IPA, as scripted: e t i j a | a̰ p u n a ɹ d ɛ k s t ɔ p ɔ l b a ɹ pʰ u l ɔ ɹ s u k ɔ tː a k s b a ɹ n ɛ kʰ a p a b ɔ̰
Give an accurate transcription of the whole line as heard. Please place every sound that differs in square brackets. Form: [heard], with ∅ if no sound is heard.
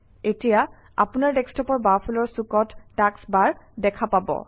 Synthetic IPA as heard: e t i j a | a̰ p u n a ɹ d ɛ k s t ɔ p ɔ [ɹ] b a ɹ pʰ u l ɔ ɹ s u k ɔ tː a k s b a ɹ [d] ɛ kʰ a p a b ɔ̰